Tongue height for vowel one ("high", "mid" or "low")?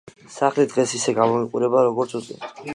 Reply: low